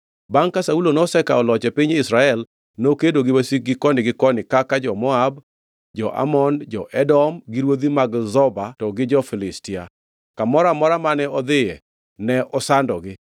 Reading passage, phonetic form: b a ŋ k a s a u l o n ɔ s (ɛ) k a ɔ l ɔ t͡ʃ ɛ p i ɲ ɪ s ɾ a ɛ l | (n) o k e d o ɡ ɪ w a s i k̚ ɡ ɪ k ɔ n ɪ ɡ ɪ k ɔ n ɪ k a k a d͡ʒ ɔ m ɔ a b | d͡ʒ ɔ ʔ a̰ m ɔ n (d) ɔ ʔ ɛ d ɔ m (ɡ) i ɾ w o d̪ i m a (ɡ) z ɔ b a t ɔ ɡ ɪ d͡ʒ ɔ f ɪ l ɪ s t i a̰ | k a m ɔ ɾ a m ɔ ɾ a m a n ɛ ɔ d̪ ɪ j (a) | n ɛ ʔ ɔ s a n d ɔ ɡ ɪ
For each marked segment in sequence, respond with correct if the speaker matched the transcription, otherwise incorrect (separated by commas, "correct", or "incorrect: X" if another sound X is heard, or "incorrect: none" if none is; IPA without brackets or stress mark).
correct, correct, incorrect: d͡ʒ, correct, correct, incorrect: ɛ